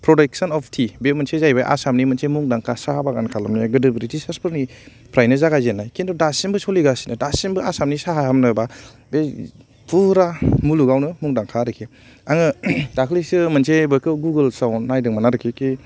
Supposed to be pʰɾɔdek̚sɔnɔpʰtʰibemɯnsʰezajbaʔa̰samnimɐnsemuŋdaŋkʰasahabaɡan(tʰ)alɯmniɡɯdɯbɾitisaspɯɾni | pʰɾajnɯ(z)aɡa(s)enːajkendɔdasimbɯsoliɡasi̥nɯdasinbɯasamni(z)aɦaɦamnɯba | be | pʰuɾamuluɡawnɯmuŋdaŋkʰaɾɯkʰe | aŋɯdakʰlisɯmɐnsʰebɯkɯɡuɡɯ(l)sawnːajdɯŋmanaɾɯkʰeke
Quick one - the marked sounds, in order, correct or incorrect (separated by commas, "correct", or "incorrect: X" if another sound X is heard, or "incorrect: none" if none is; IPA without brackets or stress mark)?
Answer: incorrect: kʰ, correct, incorrect: z, incorrect: s, correct